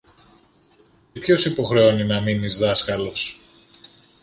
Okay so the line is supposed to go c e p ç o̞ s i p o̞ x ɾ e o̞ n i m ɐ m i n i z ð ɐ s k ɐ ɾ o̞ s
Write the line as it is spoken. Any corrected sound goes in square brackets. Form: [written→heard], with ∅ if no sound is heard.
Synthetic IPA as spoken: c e p ç o̞ s i p o̞ x ɾ e o̞ n i [m→n] ɐ m i n i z ð ɐ s k ɐ [ɾ→l] o̞ s